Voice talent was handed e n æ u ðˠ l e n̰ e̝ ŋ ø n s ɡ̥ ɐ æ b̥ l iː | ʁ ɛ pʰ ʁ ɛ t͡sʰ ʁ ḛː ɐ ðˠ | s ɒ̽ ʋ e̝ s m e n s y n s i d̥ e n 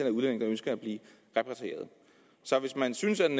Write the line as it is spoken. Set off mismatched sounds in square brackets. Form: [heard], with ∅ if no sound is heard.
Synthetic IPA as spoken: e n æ u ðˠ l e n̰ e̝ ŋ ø n s ɡ̥ ɐ æ b̥ l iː | ʁ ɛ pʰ ʁ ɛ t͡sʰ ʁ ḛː ɐ ðˠ | s ɒ̽ ʋ e̝ s m [æ] n s y n s [æ] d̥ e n